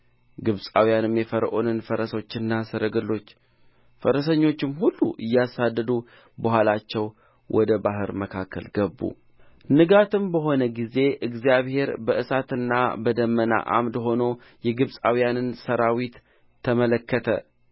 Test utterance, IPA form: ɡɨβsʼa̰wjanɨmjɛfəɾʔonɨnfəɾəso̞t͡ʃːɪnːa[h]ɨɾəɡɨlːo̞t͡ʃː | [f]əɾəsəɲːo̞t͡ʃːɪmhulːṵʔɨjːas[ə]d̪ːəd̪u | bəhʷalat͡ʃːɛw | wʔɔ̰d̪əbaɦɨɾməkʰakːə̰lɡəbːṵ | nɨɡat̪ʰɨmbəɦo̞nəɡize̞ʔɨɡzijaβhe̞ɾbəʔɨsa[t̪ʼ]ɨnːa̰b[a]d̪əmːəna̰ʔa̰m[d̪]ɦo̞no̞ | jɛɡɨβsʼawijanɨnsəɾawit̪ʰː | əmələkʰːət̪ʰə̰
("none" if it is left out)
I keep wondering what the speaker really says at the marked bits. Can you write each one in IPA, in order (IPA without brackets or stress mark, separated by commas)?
s, f, a, t̪, ə, d̪